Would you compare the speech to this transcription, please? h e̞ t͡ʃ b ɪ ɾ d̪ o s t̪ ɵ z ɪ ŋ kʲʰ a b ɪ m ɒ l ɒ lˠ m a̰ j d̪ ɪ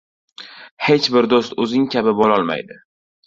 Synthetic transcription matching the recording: h e̞ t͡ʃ b ɪ ɾ d̪ o s t̪ ɵ z ɪ ŋ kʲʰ a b ɪ b ɒ l ɒ lˠ m a̰ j d̪ ɪ